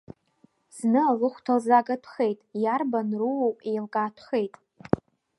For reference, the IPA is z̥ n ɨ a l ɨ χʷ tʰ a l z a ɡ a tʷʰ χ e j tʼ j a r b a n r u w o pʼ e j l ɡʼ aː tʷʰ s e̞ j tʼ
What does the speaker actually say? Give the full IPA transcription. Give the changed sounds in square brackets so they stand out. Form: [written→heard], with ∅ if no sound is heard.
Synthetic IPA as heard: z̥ n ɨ a l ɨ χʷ tʰ a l z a ɡ a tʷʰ χ e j tʼ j a r b a n r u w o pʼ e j l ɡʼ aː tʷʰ [s→χ] e̞ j tʼ